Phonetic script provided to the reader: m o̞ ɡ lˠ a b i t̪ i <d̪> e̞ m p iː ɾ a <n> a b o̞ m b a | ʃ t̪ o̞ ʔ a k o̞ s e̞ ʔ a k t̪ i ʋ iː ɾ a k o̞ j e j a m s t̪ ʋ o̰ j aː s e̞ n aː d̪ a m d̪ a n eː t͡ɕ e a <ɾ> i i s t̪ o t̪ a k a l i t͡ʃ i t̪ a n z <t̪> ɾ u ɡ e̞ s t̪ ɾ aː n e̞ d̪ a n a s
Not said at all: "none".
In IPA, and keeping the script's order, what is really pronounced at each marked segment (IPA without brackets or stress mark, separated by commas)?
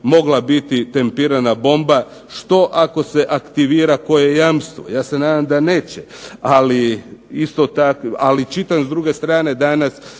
t̪, n, l, d̪